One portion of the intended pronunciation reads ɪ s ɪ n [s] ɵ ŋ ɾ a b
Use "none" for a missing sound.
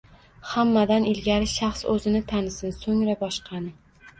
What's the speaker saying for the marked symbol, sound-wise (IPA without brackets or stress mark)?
s